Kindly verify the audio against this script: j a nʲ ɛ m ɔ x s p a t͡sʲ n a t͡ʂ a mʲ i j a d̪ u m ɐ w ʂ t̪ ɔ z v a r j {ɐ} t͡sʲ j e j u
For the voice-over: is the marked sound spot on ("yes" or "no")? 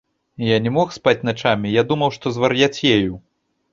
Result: no